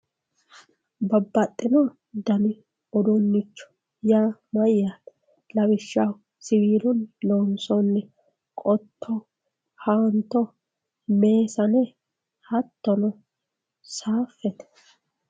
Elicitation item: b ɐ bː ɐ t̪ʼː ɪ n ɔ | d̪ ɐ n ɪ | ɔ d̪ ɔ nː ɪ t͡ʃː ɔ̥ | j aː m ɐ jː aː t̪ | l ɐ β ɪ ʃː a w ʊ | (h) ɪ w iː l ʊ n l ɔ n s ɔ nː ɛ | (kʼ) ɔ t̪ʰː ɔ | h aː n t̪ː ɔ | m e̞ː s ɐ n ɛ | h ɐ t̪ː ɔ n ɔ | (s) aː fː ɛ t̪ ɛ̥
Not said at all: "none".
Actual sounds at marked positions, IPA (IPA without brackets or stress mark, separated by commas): s, kʼ, s